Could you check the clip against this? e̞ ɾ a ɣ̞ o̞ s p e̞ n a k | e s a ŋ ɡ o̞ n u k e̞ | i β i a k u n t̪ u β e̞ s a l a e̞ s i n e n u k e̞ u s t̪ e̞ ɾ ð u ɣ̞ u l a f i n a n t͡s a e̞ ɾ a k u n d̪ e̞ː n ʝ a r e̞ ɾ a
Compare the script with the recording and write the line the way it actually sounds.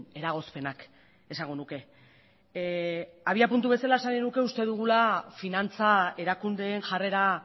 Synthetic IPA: e̞ ɾ a ɣ̞ o̞ s p e̞ n a k | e s a ŋ ɡ o̞ n u k e̞ | a β i a p u n t̪ u β e̞ s a l a e̞ s a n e n u k e̞ u s t̪ e̞ ð u ɣ̞ u l a f i n a n t͡s a e̞ ɾ a k u n d̪ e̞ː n ʝ a r e̞ ɾ a